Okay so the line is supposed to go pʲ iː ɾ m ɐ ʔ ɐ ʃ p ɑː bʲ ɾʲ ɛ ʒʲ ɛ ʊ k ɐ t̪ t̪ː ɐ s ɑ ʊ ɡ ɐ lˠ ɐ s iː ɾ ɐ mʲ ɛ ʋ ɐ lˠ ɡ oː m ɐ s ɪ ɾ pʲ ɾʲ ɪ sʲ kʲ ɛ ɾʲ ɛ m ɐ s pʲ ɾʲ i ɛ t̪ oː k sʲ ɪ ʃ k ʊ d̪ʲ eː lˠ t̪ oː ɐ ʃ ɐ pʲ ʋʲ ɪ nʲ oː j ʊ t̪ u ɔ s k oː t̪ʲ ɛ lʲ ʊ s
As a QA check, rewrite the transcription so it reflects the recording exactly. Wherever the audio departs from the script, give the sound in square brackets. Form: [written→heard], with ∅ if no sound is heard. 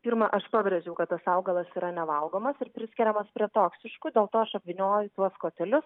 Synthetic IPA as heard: pʲ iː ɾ m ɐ ʔ ɐ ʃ p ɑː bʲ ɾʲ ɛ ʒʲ ɛ ʊ k ɐ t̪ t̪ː ɐ s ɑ ʊ ɡ ɐ lˠ ɐ s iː ɾ ɐ [mʲ→nʲ] ɛ ʋ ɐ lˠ ɡ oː m ɐ s ɪ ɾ pʲ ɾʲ ɪ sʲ kʲ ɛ ɾʲ ɛ m ɐ s pʲ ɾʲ i ɛ t̪ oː k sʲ ɪ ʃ k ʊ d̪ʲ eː lˠ t̪ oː ɐ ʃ ɐ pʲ ʋʲ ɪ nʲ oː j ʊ t̪ u ɔ s k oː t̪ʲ ɛ lʲ ʊ s

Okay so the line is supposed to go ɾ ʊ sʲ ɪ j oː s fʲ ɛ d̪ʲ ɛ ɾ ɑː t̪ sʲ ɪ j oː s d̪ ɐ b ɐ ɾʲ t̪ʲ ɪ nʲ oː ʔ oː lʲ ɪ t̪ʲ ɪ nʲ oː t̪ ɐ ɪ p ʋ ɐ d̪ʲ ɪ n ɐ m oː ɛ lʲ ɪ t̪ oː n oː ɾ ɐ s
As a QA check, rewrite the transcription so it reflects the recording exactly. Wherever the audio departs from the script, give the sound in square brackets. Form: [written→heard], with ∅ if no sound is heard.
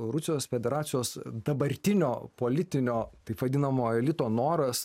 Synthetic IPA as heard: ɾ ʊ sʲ ɪ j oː s fʲ ɛ d̪ʲ ɛ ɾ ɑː t̪ sʲ ɪ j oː s d̪ ɐ b ɐ ɾʲ t̪ʲ ɪ nʲ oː [ʔ→p] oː lʲ ɪ t̪ʲ ɪ nʲ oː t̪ ɐ ɪ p ʋ ɐ d̪ʲ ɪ n ɐ m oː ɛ lʲ ɪ t̪ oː n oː ɾ ɐ s

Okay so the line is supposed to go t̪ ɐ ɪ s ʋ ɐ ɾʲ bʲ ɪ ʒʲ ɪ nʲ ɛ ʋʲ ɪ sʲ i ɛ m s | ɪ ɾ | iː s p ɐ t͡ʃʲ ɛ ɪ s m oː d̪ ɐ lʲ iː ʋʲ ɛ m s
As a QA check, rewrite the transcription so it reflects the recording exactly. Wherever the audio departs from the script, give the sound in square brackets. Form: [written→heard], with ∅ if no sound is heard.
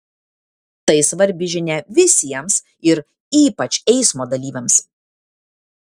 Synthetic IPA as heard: t̪ ɐ ɪ s ʋ ɐ ɾʲ bʲ ɪ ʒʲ ɪ nʲ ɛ ʋʲ ɪ sʲ i ɛ m s | ɪ ɾ | iː [s→∅] p ɐ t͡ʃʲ ɛ ɪ s m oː d̪ ɐ lʲ iː ʋʲ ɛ m s

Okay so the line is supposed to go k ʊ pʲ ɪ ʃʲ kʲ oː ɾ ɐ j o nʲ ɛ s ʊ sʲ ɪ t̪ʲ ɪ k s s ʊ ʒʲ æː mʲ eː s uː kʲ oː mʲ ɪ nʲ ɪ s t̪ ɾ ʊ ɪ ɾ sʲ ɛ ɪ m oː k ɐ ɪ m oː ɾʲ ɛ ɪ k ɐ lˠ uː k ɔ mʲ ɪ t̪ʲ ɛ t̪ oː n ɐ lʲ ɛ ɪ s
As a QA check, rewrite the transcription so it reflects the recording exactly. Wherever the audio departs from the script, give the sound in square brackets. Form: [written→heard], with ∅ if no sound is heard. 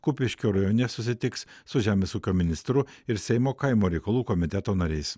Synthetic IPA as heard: k ʊ pʲ ɪ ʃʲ kʲ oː ɾ ɐ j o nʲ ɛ s ʊ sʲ ɪ t̪ʲ ɪ k s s ʊ ʒʲ æː mʲ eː s uː kʲ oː mʲ ɪ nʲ ɪ s t̪ ɾ ʊ ɪ ɾ sʲ ɛ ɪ m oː k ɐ ɪ m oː ɾʲ ɛ ɪ k ɐ lˠ uː k ɔ mʲ ɪ t̪ʲ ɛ t̪ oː n ɐ [lʲ→ɾʲ] ɛ ɪ s

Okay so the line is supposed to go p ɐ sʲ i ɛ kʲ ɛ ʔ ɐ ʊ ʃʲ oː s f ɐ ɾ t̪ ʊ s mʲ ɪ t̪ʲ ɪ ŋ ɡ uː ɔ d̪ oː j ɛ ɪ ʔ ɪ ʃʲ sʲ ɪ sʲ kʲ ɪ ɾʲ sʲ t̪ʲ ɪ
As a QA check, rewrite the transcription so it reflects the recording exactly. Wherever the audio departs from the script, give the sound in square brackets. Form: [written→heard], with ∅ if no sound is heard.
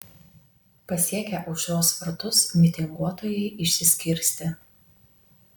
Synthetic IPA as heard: p ɐ sʲ i ɛ kʲ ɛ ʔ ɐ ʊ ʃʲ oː s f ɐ ɾ t̪ ʊ s mʲ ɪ t̪ʲ ɪ ŋ ɡ [uː→u] ɔ [d̪→t̪] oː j ɛ ɪ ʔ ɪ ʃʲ sʲ ɪ sʲ kʲ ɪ ɾʲ sʲ t̪ʲ ɪ

